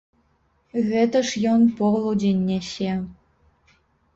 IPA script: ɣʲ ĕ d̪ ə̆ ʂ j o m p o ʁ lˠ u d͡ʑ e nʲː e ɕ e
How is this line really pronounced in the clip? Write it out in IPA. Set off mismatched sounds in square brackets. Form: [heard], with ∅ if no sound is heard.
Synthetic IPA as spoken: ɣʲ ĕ [t̪] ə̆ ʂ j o [n] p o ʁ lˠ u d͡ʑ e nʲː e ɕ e